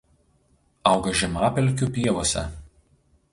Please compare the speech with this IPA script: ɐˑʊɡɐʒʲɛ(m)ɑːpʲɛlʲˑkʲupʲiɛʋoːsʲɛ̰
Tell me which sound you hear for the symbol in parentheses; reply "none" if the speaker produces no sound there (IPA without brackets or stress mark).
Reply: m